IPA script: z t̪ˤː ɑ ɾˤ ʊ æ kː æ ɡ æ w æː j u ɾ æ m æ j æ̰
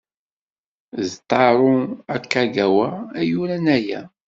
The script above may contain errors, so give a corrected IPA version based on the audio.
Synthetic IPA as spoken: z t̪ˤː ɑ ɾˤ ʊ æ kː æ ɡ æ w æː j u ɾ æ n æ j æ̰